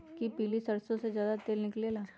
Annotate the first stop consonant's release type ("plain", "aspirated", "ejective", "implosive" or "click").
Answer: plain